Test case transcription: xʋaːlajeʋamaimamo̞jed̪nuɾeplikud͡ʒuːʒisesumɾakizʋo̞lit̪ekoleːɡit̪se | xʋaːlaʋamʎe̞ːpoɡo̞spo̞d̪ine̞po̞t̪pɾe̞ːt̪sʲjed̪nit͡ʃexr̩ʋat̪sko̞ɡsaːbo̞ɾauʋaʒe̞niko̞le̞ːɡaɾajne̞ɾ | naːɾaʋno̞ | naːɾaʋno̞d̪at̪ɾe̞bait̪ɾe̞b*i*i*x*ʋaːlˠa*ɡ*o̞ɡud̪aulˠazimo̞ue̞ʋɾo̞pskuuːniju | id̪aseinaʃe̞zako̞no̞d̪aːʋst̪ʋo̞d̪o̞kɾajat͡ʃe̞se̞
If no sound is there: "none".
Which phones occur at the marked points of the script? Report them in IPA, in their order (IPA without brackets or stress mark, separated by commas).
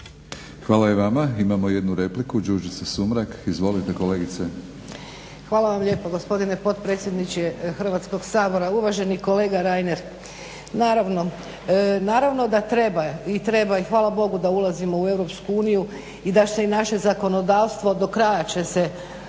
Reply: a, x, b